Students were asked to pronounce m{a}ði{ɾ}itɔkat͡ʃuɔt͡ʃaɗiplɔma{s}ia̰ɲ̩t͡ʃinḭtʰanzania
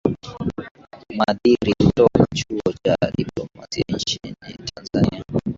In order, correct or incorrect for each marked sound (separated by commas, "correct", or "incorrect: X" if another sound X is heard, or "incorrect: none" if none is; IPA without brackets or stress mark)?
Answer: correct, correct, correct